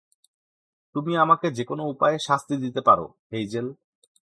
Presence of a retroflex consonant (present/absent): absent